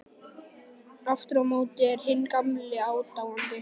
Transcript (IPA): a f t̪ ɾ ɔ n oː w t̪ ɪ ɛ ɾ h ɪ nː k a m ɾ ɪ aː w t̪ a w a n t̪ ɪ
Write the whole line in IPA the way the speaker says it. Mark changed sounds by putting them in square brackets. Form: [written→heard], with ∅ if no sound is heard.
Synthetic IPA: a f t̪ ɾ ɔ [n→m] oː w t̪ ɪ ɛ ɾ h ɪ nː k a m [ɾ→l] ɪ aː w t̪ a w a n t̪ ɪ